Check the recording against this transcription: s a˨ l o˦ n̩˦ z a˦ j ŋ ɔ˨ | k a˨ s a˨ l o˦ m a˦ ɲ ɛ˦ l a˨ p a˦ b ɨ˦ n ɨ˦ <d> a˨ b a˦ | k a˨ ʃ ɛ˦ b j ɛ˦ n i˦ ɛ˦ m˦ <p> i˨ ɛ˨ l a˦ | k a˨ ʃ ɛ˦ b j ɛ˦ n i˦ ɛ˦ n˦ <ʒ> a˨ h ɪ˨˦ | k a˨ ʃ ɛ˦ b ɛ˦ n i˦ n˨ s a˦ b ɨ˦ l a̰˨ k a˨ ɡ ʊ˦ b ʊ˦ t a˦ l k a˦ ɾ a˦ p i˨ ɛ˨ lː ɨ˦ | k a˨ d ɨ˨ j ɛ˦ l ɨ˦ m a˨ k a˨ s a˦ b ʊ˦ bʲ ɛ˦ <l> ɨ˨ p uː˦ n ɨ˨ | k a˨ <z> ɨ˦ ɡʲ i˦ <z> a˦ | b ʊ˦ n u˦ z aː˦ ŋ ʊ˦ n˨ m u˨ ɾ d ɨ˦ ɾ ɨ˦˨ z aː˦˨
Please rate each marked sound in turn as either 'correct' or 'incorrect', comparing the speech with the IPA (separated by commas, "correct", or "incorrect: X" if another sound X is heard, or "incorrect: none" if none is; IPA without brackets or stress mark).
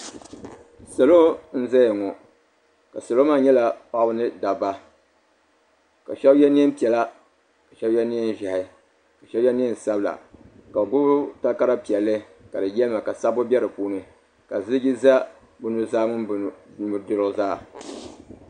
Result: correct, correct, correct, incorrect: ɾ, correct, correct